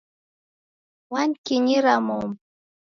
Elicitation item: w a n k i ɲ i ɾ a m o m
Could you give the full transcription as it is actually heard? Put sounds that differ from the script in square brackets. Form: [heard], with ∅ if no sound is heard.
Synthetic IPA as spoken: w a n k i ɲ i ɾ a m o m